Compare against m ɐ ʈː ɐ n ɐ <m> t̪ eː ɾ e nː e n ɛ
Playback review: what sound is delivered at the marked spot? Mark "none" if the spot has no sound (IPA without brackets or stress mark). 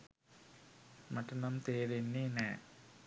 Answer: m